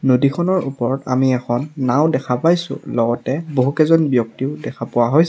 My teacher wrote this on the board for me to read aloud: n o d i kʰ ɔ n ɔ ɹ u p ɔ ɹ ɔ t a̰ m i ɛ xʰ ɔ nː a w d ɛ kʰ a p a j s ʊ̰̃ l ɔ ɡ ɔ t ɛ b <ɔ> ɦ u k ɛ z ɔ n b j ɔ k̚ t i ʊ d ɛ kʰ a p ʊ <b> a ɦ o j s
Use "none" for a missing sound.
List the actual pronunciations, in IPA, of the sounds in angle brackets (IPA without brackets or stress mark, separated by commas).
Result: o, w